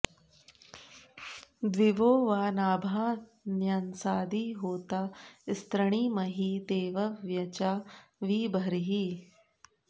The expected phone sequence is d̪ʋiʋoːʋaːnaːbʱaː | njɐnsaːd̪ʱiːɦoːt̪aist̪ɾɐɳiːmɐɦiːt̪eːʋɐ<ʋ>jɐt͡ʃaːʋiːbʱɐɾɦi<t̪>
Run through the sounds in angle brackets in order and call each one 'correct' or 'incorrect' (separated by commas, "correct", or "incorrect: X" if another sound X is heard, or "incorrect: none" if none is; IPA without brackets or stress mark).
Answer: correct, incorrect: none